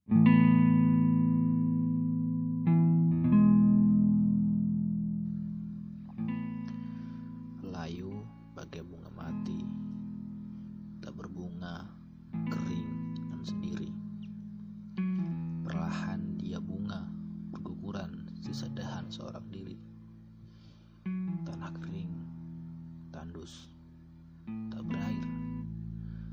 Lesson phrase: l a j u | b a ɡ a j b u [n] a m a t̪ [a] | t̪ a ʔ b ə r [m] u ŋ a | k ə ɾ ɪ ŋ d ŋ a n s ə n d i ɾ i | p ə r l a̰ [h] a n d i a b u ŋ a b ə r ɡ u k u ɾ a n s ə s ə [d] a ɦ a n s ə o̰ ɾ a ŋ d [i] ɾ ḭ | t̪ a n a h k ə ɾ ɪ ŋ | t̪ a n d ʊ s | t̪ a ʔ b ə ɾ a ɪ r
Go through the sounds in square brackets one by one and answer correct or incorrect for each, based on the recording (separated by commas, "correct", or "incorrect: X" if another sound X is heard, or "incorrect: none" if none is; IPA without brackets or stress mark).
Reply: incorrect: ŋ, incorrect: i, incorrect: b, correct, correct, correct